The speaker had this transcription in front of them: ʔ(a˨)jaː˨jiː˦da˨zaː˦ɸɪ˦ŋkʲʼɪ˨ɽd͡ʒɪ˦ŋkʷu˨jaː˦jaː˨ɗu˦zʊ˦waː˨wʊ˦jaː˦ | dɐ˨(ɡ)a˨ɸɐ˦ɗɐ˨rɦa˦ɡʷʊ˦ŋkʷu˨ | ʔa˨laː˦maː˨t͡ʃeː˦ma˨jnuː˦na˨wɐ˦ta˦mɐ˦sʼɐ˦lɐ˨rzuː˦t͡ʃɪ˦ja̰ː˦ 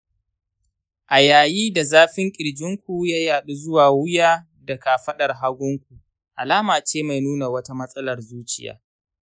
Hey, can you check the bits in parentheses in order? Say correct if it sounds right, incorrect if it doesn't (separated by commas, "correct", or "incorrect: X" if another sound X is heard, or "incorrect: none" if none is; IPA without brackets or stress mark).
correct, incorrect: k